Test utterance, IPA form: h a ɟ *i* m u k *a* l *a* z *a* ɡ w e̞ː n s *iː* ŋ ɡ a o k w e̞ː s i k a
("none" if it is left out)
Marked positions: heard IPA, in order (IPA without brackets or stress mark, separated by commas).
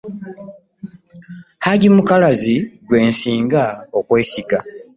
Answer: i, a, a, i, iː